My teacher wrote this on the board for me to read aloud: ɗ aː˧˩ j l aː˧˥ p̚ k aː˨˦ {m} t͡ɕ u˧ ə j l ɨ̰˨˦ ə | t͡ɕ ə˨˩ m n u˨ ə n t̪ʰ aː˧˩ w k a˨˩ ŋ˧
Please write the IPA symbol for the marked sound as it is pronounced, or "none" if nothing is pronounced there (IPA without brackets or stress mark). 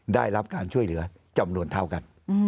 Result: n